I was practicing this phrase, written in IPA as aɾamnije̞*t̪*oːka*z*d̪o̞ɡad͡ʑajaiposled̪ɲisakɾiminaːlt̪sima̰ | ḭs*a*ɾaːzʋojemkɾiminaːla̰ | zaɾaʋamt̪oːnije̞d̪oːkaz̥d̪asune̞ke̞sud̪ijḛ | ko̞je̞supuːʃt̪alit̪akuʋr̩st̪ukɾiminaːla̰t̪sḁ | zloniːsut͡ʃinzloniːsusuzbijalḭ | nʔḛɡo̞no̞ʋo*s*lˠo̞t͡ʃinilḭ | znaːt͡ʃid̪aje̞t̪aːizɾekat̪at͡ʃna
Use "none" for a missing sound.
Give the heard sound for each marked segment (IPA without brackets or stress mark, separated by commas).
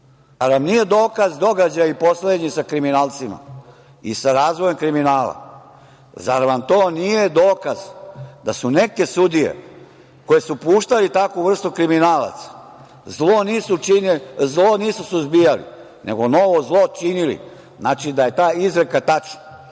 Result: d̪, z, a, z